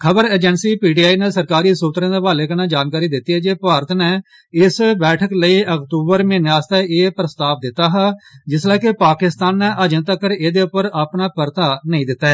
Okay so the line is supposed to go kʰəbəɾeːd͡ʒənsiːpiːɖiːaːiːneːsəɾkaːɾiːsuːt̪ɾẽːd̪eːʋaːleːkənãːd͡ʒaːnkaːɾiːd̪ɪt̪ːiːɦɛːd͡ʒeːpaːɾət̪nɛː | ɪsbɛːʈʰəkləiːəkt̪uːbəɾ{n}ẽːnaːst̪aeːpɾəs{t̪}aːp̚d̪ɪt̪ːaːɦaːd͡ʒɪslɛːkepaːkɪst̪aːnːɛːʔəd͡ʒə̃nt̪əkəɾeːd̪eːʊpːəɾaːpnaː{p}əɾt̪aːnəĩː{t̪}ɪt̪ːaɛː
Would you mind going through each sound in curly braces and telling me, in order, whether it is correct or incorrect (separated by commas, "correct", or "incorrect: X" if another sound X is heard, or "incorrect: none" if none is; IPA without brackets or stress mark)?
incorrect: m, correct, correct, incorrect: d̪